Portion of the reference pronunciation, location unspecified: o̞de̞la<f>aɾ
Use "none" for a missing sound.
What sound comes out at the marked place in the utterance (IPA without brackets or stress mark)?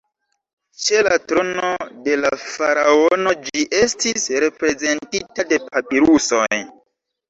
f